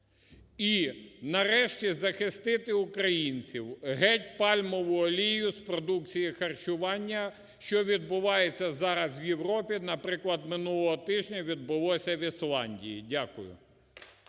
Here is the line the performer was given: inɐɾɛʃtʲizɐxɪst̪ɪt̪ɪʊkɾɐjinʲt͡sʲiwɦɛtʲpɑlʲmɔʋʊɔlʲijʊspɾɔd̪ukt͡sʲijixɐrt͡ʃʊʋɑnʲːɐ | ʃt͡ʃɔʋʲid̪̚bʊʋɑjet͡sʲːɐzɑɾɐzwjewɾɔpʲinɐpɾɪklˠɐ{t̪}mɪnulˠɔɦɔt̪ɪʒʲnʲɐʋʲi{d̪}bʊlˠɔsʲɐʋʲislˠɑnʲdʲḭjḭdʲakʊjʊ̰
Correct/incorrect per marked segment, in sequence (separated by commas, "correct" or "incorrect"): incorrect, correct